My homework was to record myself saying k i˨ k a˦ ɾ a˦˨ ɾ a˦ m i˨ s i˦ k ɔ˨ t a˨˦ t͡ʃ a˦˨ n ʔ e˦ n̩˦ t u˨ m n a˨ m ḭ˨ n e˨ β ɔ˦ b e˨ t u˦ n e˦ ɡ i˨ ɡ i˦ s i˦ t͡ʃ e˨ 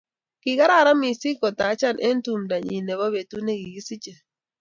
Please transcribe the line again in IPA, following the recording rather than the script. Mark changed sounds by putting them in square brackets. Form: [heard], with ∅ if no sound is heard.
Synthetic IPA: k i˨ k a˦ ɾ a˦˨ ɾ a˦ m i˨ s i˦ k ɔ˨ t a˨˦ t͡ʃ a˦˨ n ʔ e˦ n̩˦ t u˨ m [d] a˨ [ɲ] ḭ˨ n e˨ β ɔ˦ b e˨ t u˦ n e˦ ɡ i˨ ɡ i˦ s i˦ t͡ʃ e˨

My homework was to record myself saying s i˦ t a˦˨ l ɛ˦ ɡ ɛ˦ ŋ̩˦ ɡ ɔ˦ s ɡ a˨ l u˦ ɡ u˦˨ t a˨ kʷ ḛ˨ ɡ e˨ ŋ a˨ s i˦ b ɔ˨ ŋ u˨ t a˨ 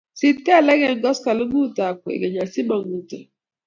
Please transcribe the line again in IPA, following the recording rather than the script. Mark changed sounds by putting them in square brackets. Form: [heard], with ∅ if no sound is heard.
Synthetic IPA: s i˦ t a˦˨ l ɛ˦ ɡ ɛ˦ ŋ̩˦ ɡ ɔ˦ s [k] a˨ l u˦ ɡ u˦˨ t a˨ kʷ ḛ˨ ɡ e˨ [ɲ] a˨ s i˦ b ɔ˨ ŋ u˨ t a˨

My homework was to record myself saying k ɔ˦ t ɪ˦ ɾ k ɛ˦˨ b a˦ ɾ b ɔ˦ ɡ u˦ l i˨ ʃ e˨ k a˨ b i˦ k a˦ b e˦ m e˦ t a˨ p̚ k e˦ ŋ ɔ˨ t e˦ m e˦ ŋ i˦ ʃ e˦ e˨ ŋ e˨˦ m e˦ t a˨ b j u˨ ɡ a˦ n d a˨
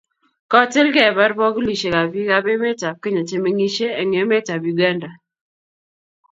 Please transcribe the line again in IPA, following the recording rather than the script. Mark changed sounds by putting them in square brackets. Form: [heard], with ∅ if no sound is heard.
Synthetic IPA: k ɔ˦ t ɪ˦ [l] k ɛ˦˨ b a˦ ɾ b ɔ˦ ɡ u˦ l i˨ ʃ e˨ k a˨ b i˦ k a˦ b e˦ m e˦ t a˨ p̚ k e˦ [ɲ] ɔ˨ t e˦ m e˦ ŋ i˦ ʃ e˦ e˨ ŋ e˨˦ m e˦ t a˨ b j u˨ ɡ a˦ n d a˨

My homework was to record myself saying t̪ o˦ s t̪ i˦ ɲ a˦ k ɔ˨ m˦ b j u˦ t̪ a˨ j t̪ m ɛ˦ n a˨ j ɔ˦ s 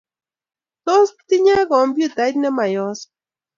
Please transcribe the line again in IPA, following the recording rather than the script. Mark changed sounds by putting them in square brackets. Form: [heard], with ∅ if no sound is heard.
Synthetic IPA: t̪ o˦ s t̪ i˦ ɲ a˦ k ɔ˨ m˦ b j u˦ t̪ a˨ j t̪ [n] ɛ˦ [m] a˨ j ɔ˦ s

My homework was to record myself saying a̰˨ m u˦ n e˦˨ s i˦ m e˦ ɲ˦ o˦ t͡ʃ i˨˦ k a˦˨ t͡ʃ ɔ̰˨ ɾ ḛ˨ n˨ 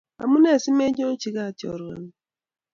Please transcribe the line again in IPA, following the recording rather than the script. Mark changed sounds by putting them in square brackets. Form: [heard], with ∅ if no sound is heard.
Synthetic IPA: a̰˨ m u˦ n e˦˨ s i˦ m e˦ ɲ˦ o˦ t͡ʃ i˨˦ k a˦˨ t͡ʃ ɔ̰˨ ɾ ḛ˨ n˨

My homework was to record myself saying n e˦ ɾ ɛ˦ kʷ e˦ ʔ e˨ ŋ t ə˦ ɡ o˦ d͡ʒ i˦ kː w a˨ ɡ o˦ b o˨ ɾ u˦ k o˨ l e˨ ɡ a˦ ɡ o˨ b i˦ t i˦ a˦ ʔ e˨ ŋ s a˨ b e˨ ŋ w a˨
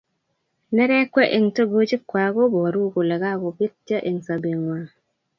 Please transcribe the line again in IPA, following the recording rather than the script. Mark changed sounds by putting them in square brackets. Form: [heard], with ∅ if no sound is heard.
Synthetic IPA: n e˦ ɾ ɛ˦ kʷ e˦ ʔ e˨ ŋ t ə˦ ɡ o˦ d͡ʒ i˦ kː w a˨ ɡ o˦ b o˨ ɾ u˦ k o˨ l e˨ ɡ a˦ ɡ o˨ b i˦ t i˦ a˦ ʔ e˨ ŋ s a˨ b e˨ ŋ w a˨

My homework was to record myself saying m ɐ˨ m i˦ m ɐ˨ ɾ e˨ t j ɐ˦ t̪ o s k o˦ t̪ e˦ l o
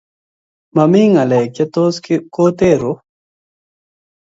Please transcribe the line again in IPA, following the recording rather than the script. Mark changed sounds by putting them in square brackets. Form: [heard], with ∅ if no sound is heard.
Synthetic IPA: m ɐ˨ m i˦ [ŋ] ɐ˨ [l] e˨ [k] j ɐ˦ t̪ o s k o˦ t̪ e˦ [ɾ] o

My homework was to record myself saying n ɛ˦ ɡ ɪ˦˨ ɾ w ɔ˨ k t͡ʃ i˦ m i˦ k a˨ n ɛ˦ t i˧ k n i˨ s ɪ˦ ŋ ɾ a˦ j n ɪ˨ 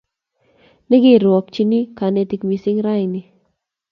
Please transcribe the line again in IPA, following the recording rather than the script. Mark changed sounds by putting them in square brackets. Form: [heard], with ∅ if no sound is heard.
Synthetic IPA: n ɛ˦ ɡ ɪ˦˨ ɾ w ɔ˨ k t͡ʃ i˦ [n] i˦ k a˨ n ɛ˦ t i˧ k [m] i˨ s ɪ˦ ŋ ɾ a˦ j n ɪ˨

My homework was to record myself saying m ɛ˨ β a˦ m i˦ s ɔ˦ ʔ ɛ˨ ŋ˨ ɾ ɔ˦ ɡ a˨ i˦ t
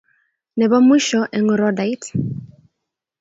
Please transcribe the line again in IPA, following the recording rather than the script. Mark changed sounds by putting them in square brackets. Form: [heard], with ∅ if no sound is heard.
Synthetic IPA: [n] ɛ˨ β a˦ m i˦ [ʃ] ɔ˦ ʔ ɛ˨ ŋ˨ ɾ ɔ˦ [d] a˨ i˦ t

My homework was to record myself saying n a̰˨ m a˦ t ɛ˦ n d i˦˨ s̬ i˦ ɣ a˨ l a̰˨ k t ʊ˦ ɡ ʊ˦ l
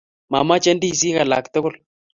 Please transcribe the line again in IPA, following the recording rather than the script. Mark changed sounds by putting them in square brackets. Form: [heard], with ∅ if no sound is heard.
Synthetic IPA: [m] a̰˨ m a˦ [t͡ʃ] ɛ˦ n d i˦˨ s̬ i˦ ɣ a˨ l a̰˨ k t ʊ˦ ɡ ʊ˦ l

